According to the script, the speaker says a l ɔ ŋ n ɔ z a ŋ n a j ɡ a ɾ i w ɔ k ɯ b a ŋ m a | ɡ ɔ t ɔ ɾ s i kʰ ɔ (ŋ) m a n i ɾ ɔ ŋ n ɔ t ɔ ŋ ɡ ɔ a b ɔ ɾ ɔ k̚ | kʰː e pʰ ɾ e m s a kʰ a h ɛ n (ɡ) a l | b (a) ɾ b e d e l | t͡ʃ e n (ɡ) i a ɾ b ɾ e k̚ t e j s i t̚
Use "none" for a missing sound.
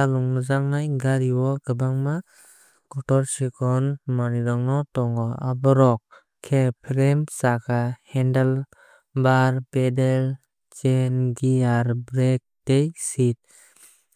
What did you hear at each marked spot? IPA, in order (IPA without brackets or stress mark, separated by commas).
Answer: n, d, a, ɡ